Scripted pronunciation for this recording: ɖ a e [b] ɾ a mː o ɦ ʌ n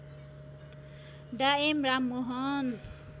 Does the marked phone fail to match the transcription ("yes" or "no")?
yes